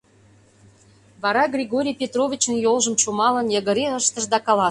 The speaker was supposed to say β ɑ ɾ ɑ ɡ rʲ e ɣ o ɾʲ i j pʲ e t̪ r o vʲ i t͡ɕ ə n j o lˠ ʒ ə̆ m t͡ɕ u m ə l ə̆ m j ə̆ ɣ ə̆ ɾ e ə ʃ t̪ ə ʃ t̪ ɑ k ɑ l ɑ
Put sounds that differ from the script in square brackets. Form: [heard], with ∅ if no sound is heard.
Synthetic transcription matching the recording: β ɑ ɾ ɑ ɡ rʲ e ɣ o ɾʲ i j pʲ e t̪ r o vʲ i t͡ɕ ə n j o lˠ ʒ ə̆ m t͡ɕ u m [ɑ] l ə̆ [n] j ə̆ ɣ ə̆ ɾ e ə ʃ t̪ ə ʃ [d̪] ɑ k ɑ l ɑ